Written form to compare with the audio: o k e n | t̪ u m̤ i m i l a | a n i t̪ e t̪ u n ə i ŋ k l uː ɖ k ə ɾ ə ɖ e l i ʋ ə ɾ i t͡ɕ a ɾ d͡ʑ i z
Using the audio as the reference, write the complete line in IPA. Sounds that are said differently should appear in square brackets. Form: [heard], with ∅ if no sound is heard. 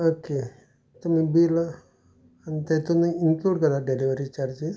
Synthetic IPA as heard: o k e [∅] | t̪ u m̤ i [b] i l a | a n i t̪ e t̪ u n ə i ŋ k l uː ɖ k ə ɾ [a] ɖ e l i ʋ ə ɾ i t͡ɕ a ɾ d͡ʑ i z